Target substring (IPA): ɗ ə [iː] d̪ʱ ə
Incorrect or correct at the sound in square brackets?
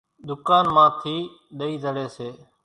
correct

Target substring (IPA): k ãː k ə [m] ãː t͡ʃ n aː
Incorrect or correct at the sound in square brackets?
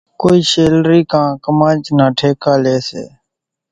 correct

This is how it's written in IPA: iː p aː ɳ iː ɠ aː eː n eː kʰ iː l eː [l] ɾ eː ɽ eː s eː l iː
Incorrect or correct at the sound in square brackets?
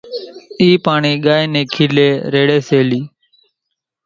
incorrect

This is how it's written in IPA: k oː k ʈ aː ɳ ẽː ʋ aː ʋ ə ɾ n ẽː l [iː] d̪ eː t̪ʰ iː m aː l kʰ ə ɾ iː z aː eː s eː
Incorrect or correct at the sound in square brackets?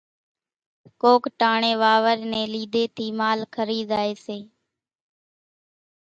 correct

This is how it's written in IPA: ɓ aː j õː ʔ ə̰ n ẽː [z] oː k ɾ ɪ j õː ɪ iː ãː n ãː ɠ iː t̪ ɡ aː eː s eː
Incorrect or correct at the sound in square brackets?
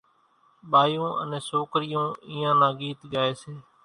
incorrect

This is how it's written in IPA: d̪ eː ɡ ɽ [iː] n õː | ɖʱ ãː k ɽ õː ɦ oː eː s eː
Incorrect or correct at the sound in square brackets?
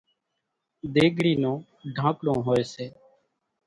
correct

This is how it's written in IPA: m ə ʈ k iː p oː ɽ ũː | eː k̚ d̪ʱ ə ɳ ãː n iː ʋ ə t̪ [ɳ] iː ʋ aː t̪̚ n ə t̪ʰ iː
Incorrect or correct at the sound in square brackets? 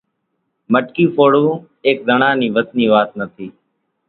incorrect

